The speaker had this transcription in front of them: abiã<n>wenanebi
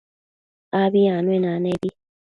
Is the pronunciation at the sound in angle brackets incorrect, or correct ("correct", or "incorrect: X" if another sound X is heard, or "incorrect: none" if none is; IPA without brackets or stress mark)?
correct